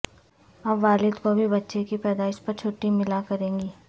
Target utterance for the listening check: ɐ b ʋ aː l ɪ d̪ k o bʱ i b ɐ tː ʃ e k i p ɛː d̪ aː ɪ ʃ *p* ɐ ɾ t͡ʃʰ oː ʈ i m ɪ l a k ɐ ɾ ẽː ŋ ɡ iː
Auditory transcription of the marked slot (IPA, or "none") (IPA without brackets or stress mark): p